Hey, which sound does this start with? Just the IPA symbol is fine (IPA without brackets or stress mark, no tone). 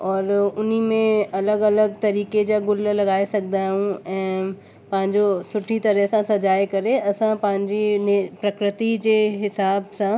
ɔː